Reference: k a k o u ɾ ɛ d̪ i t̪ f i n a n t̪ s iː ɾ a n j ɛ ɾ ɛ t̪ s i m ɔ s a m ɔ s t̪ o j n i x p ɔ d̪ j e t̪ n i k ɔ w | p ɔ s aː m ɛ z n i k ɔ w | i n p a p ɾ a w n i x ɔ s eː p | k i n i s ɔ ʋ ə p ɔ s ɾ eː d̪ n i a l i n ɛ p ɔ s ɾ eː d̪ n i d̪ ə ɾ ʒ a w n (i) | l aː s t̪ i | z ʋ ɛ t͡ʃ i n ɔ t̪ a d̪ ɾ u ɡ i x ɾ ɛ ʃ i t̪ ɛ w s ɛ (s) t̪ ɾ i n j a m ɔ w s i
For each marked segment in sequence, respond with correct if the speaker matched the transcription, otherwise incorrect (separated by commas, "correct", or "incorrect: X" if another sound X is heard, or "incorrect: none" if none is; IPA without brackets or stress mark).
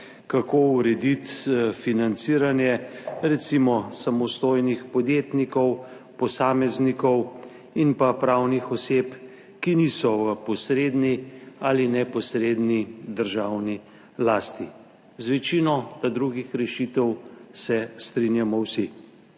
correct, correct